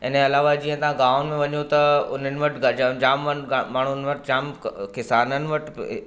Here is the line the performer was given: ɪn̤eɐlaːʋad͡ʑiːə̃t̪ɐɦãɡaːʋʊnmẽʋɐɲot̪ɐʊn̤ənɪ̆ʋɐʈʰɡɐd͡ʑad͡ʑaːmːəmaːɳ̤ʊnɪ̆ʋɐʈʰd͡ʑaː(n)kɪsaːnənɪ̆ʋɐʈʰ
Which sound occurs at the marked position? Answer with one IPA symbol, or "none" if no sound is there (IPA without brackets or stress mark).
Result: m